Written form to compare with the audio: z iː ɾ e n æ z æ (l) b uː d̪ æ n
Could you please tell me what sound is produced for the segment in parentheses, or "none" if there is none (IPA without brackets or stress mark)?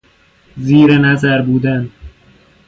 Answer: ɾ